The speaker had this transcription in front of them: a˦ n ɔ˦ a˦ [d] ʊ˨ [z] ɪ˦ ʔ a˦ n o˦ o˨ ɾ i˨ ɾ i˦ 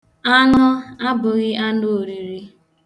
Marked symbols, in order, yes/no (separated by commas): no, no